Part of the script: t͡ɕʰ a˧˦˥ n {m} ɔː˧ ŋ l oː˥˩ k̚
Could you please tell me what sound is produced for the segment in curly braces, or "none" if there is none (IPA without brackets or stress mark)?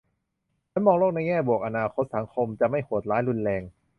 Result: m